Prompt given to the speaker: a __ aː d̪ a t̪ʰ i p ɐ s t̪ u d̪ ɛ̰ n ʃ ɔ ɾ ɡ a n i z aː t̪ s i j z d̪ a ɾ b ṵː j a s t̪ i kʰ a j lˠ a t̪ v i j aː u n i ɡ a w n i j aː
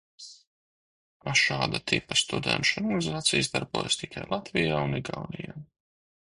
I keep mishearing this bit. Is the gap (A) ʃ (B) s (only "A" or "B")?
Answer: A